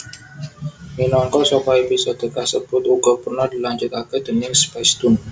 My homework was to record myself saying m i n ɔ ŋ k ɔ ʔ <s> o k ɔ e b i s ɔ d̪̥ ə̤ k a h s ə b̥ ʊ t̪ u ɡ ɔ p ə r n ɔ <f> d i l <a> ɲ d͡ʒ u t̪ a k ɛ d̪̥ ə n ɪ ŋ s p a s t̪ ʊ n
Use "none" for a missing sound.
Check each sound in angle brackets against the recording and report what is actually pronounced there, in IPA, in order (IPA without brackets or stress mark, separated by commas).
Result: s, h, a